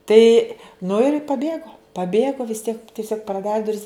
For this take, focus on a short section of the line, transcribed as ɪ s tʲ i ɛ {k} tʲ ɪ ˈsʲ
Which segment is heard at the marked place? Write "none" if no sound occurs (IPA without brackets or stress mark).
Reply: k